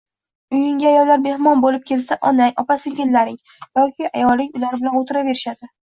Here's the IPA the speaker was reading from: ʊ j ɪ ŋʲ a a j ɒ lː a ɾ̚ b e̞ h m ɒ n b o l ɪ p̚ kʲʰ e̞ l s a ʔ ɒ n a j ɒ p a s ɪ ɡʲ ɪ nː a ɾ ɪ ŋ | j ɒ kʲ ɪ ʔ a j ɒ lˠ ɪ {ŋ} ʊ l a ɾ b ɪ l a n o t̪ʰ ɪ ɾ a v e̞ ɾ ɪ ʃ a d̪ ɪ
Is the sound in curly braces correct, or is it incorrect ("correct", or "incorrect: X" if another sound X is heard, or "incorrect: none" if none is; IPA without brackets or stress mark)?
correct